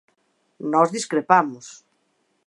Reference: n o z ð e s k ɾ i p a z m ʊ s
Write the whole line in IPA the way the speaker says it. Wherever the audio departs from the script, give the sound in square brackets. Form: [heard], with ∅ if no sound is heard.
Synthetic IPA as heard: n [ɔ] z ð [i] s k ɾ [e] p a [∅] m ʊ s